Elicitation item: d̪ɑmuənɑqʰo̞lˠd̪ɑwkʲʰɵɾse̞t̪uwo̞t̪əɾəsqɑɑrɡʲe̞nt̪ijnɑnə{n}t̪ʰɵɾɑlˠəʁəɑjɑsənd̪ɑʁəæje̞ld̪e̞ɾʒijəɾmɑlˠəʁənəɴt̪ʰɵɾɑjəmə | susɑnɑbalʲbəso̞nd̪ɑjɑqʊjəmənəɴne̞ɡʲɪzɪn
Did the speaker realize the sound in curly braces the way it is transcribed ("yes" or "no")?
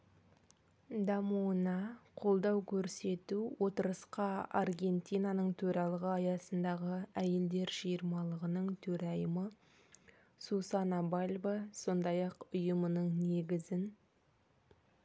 no